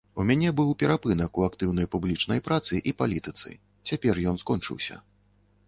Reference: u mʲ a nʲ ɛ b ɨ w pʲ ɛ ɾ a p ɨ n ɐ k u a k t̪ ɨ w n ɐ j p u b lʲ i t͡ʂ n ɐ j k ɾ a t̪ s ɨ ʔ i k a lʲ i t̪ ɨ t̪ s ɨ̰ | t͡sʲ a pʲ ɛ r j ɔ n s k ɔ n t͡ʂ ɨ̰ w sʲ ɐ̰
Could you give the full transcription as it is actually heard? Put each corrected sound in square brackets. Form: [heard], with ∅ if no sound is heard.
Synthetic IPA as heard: u mʲ a nʲ ɛ b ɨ w pʲ ɛ ɾ a p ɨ n ɐ k u a k t̪ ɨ w n ɐ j p u b lʲ i t͡ʂ n ɐ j [p] ɾ a t̪ s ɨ ʔ i [p] a lʲ i t̪ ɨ t̪ s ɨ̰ | t͡sʲ a pʲ ɛ r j ɔ n s k ɔ n t͡ʂ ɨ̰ w sʲ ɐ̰

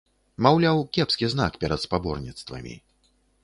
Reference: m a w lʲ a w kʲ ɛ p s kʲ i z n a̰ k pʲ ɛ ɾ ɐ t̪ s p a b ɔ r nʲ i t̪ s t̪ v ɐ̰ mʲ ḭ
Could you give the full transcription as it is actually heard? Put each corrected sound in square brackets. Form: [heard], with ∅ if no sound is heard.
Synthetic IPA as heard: m a w lʲ a w kʲ ɛ p s kʲ i z n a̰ k pʲ ɛ ɾ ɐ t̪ s p a b ɔ r nʲ i t̪ s t̪ v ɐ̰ mʲ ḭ

